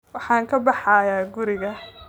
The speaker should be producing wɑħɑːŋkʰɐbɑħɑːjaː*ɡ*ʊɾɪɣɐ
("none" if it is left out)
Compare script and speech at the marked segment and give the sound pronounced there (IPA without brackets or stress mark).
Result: ɡ